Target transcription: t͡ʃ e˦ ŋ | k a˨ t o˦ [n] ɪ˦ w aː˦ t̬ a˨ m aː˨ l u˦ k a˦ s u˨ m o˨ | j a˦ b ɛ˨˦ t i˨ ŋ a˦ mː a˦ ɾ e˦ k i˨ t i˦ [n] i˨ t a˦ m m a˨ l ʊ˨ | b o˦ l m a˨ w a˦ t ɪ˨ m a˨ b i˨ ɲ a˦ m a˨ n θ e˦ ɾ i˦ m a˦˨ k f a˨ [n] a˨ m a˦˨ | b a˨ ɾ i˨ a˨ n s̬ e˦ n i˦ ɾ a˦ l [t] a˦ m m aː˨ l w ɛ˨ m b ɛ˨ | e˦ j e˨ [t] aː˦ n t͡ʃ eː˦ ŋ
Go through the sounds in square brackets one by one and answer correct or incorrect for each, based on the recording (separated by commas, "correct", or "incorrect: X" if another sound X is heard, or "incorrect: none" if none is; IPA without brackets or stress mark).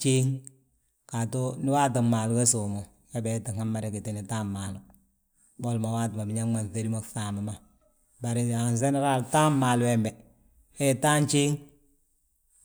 correct, correct, incorrect: m, correct, correct